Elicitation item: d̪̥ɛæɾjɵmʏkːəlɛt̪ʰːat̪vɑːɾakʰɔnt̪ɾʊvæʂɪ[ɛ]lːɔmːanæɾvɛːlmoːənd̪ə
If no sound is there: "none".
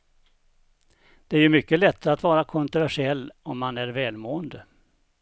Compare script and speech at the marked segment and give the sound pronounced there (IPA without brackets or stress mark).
ɛ